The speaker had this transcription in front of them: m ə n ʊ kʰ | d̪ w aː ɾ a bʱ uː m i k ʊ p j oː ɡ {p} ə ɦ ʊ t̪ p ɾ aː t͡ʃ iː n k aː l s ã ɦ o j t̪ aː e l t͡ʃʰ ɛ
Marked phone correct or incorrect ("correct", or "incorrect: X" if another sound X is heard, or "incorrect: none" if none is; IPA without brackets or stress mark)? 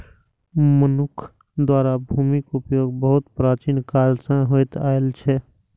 incorrect: b